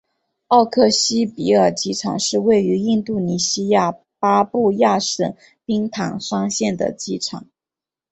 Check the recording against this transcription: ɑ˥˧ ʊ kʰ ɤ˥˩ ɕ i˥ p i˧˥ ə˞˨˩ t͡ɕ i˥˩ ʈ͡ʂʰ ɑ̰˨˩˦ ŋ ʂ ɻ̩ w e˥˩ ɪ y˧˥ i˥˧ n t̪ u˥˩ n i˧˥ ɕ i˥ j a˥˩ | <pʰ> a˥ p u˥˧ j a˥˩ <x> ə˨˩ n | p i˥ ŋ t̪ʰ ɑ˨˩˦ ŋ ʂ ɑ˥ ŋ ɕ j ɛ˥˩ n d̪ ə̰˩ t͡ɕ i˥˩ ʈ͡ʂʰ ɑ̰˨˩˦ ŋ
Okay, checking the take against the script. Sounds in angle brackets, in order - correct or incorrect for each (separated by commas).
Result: incorrect, incorrect